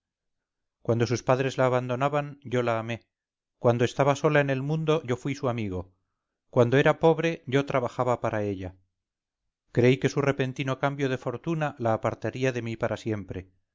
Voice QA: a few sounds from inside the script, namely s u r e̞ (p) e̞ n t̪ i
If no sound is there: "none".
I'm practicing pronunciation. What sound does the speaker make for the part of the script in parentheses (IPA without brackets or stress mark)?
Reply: p